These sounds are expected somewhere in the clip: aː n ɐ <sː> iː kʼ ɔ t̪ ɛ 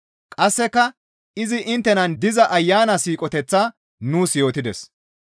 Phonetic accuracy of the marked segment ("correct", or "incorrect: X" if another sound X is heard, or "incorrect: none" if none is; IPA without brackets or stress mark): incorrect: s